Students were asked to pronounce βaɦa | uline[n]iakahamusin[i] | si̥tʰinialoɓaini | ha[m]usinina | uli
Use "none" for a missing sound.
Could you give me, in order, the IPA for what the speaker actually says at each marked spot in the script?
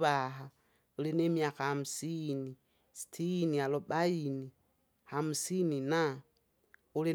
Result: m, i, m

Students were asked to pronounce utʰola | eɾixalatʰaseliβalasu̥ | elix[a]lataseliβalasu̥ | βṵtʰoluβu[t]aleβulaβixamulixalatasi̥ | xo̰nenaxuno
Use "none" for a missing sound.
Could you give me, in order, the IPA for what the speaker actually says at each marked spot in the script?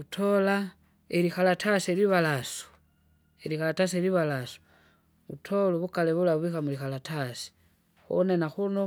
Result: a, k

